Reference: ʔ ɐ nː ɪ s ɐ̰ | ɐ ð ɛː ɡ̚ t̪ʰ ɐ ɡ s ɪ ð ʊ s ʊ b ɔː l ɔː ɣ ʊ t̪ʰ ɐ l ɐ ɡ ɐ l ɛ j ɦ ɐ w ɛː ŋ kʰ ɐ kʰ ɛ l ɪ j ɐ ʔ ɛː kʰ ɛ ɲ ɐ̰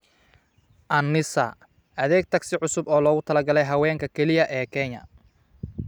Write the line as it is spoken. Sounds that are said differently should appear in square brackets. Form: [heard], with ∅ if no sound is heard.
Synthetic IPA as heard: ʔ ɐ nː ɪ s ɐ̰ | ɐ ð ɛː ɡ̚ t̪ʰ ɐ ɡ s ɪ [ʕ] ʊ s ʊ b ɔː l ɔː ɣ ʊ t̪ʰ ɐ l ɐ ɡ ɐ l ɛ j ɦ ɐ w ɛː ŋ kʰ ɐ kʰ ɛ l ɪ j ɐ ʔ ɛː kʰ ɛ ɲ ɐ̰